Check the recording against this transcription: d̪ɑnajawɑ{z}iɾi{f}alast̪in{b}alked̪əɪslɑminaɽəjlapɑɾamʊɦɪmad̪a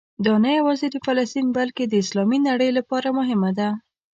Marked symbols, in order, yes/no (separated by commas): yes, yes, yes